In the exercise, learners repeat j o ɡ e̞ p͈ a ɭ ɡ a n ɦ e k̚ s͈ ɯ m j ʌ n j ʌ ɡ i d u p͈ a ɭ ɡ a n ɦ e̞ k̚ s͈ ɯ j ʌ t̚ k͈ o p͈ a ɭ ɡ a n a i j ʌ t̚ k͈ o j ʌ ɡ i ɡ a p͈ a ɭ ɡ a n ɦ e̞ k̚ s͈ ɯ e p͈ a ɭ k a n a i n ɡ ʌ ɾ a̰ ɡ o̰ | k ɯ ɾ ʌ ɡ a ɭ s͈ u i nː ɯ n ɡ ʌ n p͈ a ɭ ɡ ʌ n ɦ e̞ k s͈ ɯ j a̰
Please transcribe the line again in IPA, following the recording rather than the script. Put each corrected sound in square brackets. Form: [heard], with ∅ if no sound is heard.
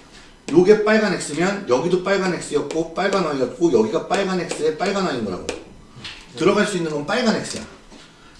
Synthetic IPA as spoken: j o ɡ e̞ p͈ a ɭ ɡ a n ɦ e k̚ s͈ ɯ m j ʌ n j ʌ ɡ i d [o] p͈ a ɭ ɡ a n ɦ e̞ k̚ s͈ ɯ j ʌ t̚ k͈ o p͈ a ɭ ɡ a n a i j ʌ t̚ k͈ o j ʌ ɡ i ɡ a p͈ a ɭ ɡ a n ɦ e̞ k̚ s͈ ɯ e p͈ a ɭ [ɡ] a n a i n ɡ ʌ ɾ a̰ ɡ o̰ | [t] ɯ ɾ ʌ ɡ a ɭ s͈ u i nː ɯ n ɡ ʌ n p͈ a ɭ ɡ [a] n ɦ e̞ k s͈ ɯ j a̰